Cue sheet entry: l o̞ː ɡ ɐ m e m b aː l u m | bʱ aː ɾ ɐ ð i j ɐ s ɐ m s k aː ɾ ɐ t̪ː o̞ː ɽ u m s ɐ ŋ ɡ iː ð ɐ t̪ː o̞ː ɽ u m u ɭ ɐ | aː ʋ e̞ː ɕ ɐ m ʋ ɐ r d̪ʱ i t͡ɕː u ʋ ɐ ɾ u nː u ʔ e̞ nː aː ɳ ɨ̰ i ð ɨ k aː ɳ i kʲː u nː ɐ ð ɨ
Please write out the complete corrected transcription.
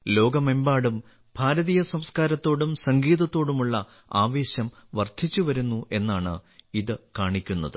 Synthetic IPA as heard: l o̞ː ɡ ɐ m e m b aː ɽ u m | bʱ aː ɾ ɐ ð i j ɐ s ɐ m s k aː ɾ ɐ t̪ː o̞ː ɽ u m s ɐ ŋ ɡ iː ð ɐ t̪ː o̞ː ɽ u m u ɭː ɐ | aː ʋ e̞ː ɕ ɐ m ʋ ɐ r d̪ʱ i t͡ɕː u ʋ ɐ ɾ u nː u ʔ e̞ nː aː ɳ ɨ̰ i ð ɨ k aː ɳ i kʲː u nː ɐ ð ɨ

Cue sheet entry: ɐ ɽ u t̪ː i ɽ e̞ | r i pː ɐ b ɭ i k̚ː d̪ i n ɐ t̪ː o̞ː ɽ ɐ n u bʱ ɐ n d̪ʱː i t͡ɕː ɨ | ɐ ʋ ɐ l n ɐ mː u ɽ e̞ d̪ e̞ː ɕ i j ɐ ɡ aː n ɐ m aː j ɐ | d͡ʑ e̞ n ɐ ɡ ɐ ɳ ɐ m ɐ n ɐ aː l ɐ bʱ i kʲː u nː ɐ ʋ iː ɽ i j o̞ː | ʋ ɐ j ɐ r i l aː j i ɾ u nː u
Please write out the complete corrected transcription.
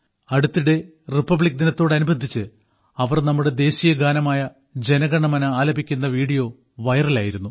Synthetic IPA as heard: ɐ ɽ u t̪ː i ɽ e̞ | r i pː ɐ b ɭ i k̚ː d̪ i n ɐ t̪ː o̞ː ɽ ɐ n u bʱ ɐ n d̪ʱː i t͡ɕː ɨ | ɐ ʋ ɐ r n ɐ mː u ɽ e̞ d̪ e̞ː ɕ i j ɐ ɡ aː n ɐ m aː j ɐ | d͡ʑ e̞ n ɐ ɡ ɐ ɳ ɐ m ɐ n ɐ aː l ɐ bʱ i kʲː u nː ɐ ʋ iː ɽ i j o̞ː | ʋ ɐ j ɐ r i l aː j i ɾ u nː u

